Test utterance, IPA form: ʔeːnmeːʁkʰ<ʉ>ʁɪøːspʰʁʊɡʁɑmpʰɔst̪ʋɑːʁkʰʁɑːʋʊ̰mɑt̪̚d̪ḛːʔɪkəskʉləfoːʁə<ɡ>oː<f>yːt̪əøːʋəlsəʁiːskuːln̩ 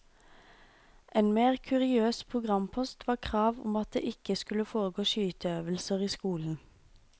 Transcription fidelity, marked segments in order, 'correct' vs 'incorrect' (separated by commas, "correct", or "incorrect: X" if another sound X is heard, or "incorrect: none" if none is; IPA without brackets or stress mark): correct, correct, incorrect: ʃ